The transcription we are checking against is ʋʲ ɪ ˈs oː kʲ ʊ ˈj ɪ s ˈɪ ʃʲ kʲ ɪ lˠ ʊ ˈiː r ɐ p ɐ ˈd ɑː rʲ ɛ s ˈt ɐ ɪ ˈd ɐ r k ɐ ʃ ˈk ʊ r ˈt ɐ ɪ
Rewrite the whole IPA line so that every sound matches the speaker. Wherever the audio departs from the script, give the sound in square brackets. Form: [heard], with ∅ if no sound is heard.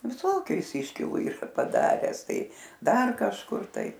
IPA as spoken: ʋʲ ɪ ˈs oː kʲ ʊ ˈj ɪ s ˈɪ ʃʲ kʲ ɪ lˠ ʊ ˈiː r ɐ p ɐ ˈd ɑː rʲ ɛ s ˈt ɐ ɪ ˈd ɐ r k ɐ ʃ ˈk ʊ r ˈt ɐ ɪ